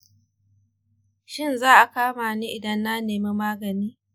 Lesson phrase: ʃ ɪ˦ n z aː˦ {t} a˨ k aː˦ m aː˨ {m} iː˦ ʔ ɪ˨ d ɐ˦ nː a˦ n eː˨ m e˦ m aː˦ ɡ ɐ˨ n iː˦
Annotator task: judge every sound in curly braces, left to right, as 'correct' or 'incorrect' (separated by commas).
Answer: incorrect, incorrect